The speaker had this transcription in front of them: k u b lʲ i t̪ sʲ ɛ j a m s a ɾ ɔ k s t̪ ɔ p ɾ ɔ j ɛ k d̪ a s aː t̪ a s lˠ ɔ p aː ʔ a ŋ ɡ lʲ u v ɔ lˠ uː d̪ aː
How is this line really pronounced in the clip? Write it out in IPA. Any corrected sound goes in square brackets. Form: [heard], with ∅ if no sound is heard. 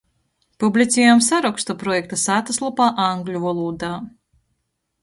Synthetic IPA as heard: [p] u b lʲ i t̪ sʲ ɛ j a m s a ɾ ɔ k s t̪ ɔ p ɾ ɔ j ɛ k [t̪] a s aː t̪ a s lˠ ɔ p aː ʔ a ŋ ɡ lʲ u v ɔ lˠ uː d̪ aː